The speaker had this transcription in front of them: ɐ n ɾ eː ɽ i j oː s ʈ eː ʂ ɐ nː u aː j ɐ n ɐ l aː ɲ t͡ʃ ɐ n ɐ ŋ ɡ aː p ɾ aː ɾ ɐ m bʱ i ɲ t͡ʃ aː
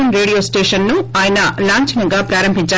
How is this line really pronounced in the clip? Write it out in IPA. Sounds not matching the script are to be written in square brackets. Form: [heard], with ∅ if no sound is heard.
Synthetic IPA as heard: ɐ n ɾ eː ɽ i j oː s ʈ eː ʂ ɐ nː u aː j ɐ n ɐ l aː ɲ t͡ʃ ɐ n ɐ ŋ ɡ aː p ɾ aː ɾ ɐ m bʱ i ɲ t͡ʃ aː

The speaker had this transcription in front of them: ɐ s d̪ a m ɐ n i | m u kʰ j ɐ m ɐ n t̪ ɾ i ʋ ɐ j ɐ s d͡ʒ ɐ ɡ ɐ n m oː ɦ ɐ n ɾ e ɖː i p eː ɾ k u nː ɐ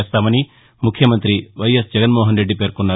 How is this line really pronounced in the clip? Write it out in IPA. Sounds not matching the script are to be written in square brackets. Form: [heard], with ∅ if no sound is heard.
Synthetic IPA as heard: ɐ s [t̪] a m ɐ n i | m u kʰ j ɐ m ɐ n t̪ ɾ i ʋ ɐ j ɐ s d͡ʒ ɐ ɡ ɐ n m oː ɦ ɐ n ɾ e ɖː i p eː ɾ k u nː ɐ

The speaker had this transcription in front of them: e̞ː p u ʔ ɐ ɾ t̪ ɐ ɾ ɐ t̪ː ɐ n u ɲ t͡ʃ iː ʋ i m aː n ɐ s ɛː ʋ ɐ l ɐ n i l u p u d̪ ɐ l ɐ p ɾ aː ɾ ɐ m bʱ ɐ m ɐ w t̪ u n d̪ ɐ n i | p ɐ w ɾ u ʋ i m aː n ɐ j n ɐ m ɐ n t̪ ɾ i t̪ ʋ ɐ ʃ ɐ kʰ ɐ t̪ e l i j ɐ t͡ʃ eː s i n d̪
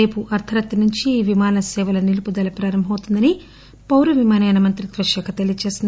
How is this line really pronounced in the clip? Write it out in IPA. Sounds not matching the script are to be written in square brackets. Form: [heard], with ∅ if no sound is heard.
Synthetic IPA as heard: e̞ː p u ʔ ɐ ɾ [t̪ʰ] ɐ ɾ ɐ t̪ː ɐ n u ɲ t͡ʃ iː ʋ i m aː n ɐ s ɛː ʋ ɐ l ɐ n i l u p u d̪ ɐ l ɐ p ɾ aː ɾ ɐ m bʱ ɐ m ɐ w t̪ u n d̪ ɐ n i | p ɐ w ɾ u ʋ i m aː n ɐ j n ɐ m ɐ n t̪ ɾ i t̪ ʋ ɐ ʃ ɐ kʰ ɐ t̪ e l i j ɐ t͡ʃ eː s i n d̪

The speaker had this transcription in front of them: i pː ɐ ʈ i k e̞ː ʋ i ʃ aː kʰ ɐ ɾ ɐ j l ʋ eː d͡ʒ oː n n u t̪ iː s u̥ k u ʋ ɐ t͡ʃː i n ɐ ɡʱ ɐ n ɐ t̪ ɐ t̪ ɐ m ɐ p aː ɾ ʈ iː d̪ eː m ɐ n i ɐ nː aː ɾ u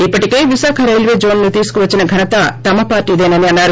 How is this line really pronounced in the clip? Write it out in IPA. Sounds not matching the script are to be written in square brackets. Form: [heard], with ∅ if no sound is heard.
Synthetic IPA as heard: i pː ɐ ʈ i k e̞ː ʋ i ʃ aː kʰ ɐ ɾ ɐ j l ʋ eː d͡ʒ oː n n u t̪ iː s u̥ k u ʋ ɐ t͡ʃː i n ɐ ɡʱ ɐ n ɐ t̪ ɐ t̪ ɐ m ɐ p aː ɾ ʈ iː d̪ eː [n] ɐ n i ɐ nː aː ɾ u

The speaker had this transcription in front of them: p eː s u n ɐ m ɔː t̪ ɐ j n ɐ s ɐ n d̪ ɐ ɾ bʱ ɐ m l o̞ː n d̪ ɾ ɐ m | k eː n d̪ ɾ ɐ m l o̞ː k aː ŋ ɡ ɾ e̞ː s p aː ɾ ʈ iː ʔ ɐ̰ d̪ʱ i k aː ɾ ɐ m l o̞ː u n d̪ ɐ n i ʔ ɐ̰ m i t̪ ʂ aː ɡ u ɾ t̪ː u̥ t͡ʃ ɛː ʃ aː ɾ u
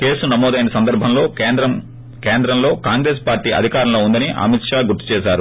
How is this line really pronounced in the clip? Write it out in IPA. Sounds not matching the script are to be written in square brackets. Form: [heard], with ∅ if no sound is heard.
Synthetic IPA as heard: [k] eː s u n ɐ m ɔː [d̪] ɐ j n ɐ s ɐ n d̪ ɐ ɾ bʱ ɐ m l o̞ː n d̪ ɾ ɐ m | k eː n d̪ ɾ ɐ m l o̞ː k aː ŋ ɡ ɾ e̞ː s p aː ɾ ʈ iː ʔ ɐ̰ d̪ʱ i k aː ɾ ɐ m l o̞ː u n d̪ ɐ n i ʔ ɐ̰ m i t̪ ʂ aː ɡ u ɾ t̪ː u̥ t͡ʃ ɛː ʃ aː ɾ u

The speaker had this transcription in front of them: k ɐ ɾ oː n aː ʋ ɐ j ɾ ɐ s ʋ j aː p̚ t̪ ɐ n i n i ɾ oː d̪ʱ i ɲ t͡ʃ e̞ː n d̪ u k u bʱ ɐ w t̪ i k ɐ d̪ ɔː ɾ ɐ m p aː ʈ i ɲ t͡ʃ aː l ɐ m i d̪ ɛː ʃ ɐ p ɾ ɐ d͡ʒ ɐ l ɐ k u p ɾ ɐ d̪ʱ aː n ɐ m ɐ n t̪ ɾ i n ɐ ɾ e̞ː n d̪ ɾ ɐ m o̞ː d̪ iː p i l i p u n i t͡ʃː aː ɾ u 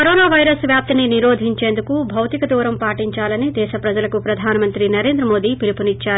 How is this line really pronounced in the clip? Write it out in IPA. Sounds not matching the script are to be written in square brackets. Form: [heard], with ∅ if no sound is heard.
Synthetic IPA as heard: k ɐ ɾ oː n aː ʋ ɐ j ɾ ɐ s ʋ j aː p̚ t̪ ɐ n i n i ɾ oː d̪ʱ i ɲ t͡ʃ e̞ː n d̪ u k u bʱ ɐ w t̪ i k ɐ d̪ [uː] ɾ ɐ m p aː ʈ i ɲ t͡ʃ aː l ɐ [n] i d̪ ɛː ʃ ɐ p ɾ ɐ d͡ʒ ɐ l ɐ k u p ɾ ɐ d̪ʱ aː n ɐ m ɐ n t̪ ɾ i n ɐ ɾ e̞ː n d̪ ɾ ɐ m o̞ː d̪ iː p i l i p u n i t͡ʃː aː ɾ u

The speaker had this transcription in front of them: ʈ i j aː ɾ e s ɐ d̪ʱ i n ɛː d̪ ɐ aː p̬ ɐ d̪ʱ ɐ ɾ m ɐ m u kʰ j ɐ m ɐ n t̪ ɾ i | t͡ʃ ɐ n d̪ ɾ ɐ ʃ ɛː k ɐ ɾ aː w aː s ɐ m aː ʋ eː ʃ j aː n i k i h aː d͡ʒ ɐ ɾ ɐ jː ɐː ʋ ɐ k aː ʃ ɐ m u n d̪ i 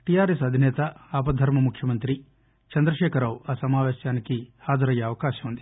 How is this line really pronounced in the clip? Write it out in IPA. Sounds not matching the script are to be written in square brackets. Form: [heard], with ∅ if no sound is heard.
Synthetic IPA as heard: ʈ i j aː ɾ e s ɐ d̪ʱ i n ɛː [t̪] ɐ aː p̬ ɐ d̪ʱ ɐ ɾ m ɐ m u kʰ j ɐ m ɐ n t̪ ɾ i | t͡ʃ ɐ n d̪ ɾ ɐ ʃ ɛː k ɐ ɾ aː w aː s ɐ m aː ʋ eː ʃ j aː n i k i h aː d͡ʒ ɐ ɾ ɐ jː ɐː ʋ ɐ k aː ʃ ɐ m u n d̪ i

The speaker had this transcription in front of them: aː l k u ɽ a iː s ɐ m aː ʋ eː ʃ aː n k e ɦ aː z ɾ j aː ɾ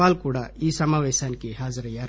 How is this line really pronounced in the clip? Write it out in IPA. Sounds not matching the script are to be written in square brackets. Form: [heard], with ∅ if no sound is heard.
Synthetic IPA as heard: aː l k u ɽ a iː s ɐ m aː ʋ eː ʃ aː n k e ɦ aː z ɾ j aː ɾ

